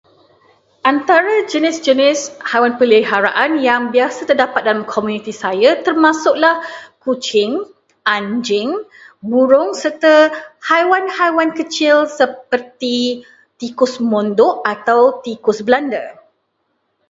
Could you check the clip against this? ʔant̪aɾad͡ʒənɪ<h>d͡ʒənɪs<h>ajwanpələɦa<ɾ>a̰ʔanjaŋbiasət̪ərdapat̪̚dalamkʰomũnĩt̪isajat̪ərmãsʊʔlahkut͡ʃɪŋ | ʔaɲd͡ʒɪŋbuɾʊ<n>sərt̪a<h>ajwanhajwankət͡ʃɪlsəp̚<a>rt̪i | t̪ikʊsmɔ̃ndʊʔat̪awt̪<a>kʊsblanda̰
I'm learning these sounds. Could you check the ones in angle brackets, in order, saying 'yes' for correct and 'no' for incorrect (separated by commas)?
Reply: no, yes, yes, no, yes, no, no